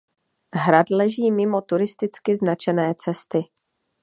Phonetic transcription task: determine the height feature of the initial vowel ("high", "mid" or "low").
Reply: low